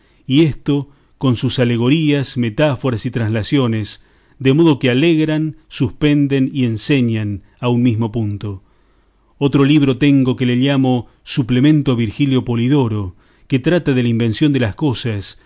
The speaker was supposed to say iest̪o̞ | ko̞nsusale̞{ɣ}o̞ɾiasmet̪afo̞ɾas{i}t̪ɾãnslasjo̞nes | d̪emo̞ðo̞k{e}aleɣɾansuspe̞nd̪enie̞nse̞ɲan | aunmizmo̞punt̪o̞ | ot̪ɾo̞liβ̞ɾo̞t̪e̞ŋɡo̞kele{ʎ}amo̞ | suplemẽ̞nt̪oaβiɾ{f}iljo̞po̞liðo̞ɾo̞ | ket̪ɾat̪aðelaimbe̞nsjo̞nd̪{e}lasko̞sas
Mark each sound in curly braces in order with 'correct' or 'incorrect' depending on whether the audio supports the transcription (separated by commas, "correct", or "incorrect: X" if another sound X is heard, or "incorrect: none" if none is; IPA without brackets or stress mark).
correct, correct, correct, correct, incorrect: x, correct